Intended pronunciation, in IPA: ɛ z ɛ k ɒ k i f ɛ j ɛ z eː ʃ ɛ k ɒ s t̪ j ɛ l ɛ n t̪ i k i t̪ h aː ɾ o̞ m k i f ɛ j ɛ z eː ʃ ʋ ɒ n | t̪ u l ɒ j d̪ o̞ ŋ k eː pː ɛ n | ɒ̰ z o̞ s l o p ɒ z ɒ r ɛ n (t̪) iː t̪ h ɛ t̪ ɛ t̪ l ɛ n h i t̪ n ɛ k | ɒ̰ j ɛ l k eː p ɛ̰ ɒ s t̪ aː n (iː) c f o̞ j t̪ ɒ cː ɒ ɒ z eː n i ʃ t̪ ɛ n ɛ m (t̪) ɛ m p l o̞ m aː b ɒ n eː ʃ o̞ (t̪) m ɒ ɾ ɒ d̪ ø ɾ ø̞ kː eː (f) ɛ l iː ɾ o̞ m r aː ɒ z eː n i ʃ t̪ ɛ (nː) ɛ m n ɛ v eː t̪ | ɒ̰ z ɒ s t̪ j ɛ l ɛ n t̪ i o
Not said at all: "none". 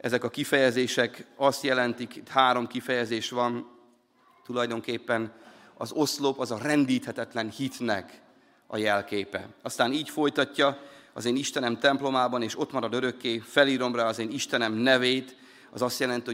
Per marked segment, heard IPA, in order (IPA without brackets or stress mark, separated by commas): d̪, iː, t̪, t̪, f, n